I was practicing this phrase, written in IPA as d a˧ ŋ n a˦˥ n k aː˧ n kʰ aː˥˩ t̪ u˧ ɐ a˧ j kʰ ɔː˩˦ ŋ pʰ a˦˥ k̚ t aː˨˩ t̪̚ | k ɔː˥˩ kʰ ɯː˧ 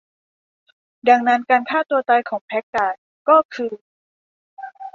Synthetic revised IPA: d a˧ ŋ n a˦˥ n k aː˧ n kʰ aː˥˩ t̪ u˧ ɐ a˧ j kʰ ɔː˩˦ ŋ pʰ ɛ˦˥ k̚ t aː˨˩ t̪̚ | k ɔː˥˩ kʰ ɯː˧